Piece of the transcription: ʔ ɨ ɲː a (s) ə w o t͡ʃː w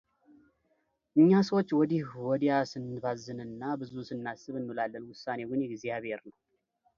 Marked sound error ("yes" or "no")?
no